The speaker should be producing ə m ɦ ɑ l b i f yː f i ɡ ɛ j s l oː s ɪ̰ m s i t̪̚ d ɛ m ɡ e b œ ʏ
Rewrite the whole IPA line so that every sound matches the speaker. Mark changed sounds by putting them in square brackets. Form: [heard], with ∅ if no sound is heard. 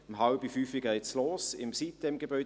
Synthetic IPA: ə m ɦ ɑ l b i f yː f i ɡ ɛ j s l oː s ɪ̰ m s i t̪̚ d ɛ m ɡ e b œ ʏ